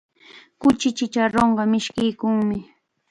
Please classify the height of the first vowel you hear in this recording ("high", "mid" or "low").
high